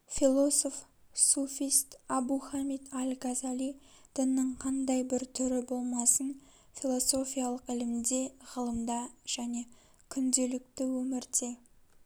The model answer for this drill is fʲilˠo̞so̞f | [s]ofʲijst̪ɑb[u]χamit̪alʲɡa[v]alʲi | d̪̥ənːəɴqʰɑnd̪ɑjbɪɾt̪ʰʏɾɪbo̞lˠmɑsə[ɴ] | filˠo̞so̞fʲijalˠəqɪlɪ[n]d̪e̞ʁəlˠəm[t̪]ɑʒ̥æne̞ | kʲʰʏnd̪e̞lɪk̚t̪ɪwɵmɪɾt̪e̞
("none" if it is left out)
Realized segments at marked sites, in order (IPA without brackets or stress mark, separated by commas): s, u, z, n, m, d̪